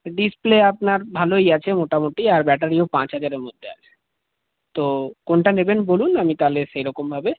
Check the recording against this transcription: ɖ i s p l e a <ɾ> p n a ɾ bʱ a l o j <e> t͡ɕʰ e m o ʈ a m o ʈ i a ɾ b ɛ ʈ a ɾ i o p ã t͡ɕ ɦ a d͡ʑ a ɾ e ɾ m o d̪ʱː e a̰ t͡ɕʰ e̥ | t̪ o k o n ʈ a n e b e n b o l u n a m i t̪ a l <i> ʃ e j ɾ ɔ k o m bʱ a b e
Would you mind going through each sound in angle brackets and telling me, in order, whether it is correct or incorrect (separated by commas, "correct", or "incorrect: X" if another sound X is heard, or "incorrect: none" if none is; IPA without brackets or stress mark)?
incorrect: none, incorrect: a, incorrect: e